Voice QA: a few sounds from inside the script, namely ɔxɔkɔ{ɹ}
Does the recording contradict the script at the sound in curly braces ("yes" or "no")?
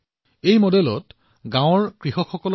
yes